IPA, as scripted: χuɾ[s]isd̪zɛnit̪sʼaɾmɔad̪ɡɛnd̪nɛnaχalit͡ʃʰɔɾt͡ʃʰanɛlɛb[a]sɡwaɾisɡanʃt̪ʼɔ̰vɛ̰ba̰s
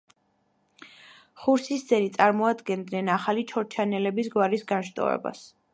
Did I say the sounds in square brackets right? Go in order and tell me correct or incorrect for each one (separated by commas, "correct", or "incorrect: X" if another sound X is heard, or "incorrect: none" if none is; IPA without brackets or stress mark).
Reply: correct, incorrect: i